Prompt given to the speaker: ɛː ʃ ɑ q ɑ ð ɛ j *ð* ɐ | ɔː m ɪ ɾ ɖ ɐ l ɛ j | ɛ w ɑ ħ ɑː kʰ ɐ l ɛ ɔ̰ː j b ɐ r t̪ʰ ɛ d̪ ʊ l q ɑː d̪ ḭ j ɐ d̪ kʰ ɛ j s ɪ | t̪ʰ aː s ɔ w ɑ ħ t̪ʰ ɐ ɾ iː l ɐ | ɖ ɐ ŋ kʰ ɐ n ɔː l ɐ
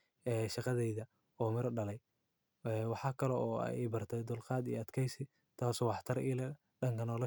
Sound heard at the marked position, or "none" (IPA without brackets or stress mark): ð